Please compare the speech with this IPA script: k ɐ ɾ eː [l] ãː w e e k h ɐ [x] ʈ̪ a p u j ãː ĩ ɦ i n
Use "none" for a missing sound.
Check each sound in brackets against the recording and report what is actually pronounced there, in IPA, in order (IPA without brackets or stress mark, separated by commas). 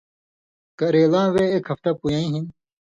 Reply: l, f